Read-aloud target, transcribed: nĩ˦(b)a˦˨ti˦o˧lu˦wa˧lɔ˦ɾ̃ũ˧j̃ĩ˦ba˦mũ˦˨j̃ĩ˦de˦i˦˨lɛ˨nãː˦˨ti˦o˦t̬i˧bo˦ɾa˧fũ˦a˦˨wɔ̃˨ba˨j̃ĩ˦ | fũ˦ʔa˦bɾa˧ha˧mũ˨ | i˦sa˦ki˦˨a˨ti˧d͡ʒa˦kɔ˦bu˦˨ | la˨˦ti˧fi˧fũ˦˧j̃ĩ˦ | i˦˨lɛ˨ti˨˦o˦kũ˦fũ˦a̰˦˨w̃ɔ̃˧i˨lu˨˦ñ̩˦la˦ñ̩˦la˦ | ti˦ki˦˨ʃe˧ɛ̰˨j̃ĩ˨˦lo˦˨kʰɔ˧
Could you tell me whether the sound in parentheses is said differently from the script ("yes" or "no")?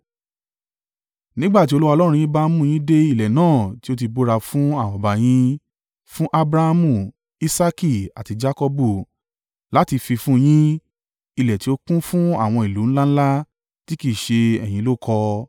yes